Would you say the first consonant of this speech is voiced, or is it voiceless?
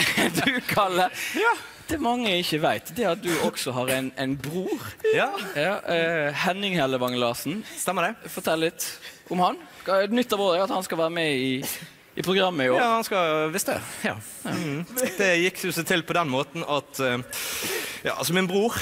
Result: voiced